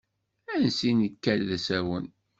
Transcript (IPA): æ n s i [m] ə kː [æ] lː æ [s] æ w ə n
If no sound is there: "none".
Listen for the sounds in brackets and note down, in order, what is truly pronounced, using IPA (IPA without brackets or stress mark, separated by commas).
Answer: n, æ, s